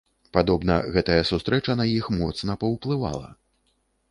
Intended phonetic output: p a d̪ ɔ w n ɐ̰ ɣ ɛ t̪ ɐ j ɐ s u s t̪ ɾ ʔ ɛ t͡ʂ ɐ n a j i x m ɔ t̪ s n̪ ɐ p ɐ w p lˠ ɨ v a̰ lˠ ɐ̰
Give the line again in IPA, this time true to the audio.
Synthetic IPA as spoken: p a d̪ ɔ b n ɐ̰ ɣ ɛ t̪ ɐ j ɐ s u s t̪ ɾ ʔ ɛ t͡ʂ ɐ n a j i x m ɔ t̪ s n̪ ɐ p ɐ w p lˠ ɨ v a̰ lˠ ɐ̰